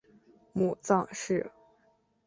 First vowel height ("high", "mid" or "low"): high